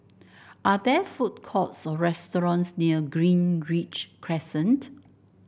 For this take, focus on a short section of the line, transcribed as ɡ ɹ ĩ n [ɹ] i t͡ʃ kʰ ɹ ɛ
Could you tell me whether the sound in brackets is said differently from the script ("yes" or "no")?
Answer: no